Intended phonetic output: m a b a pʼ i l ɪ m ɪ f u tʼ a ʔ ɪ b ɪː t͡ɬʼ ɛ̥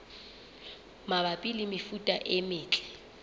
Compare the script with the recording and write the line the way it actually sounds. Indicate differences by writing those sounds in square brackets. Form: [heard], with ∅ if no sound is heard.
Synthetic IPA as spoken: m a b a pʼ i l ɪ m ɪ f u tʼ a ʔ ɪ [m] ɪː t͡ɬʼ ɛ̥